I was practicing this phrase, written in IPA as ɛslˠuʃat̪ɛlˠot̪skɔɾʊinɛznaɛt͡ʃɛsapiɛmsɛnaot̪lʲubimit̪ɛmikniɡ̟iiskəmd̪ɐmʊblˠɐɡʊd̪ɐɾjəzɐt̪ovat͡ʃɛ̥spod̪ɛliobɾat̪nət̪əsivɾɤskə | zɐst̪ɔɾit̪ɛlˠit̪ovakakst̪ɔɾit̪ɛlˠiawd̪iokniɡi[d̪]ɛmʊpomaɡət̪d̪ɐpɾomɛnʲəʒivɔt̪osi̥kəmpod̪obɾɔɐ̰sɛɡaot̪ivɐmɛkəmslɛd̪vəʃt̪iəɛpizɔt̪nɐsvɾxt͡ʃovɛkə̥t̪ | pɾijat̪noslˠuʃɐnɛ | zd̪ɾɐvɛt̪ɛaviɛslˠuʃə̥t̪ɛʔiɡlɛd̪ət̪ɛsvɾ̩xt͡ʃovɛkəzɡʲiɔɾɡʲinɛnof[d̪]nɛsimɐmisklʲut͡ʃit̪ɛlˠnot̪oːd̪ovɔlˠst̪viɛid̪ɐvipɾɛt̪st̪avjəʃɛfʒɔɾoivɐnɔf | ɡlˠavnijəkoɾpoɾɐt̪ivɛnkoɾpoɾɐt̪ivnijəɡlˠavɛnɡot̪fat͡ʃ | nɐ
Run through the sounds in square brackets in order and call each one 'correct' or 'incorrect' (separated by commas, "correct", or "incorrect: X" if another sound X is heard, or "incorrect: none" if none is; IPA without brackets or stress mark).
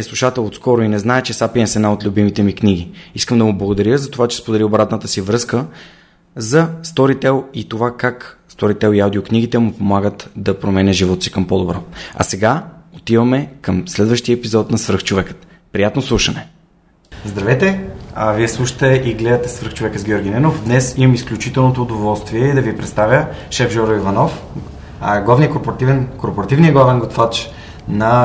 incorrect: t̪, correct